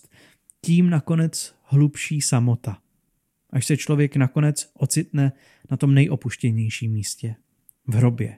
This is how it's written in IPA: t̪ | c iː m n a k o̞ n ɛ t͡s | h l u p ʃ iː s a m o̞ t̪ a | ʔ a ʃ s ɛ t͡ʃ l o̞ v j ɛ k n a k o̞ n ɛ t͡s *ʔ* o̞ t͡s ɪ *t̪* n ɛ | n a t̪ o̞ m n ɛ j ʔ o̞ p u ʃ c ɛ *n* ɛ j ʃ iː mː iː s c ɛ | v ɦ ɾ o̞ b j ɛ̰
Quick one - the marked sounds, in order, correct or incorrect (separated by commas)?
correct, correct, incorrect